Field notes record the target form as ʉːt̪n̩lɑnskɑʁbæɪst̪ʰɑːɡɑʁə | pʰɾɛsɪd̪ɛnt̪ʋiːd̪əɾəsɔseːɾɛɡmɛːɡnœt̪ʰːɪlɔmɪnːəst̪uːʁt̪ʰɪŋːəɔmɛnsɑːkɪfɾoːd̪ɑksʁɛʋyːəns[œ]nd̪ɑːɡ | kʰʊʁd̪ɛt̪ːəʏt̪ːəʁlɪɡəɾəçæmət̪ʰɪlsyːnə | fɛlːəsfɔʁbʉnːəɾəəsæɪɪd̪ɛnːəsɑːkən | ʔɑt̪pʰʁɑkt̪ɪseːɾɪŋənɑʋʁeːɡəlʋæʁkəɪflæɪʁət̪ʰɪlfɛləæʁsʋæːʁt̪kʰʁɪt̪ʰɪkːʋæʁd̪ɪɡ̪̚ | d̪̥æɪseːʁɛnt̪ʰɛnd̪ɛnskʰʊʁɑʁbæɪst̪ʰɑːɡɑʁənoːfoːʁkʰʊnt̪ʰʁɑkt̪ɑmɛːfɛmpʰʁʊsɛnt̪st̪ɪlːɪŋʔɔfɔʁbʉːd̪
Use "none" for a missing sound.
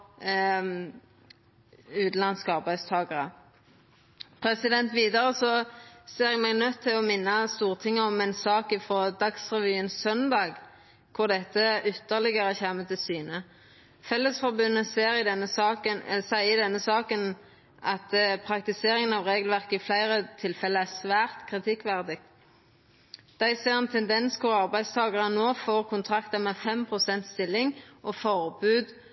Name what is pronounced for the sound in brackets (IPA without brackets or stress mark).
œ